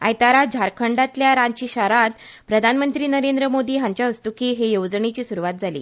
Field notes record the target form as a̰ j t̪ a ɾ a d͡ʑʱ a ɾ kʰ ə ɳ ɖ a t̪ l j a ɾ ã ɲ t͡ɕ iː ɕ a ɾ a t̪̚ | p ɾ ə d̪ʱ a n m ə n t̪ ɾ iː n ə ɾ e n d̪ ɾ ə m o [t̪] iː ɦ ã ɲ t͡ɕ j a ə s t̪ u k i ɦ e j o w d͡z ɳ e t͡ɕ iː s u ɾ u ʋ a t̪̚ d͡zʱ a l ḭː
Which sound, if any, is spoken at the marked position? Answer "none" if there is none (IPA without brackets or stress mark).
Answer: d̪